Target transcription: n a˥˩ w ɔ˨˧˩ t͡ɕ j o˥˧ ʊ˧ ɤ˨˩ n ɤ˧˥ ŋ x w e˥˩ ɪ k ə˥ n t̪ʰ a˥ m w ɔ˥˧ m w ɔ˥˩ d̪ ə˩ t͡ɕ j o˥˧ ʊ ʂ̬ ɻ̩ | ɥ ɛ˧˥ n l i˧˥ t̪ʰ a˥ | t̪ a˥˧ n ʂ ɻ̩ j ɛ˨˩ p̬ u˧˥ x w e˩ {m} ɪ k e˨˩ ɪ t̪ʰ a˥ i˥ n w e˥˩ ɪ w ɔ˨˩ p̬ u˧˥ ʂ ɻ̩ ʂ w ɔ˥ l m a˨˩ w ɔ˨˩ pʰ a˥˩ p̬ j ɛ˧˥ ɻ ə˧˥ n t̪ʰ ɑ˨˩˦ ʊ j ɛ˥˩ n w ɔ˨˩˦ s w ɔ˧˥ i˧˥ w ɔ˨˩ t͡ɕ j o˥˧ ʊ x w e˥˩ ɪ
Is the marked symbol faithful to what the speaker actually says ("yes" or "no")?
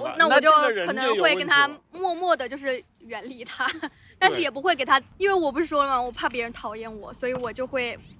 no